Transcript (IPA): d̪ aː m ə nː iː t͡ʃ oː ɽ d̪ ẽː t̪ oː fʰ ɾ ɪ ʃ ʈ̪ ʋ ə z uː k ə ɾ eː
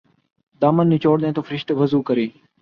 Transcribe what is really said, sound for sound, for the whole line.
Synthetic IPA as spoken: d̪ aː m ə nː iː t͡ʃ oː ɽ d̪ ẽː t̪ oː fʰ ɾ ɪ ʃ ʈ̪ ʋ ə z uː k ə ɾ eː